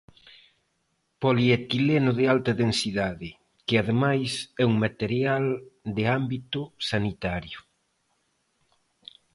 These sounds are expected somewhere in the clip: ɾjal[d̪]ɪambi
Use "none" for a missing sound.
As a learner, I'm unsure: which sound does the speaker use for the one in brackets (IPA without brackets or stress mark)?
d̪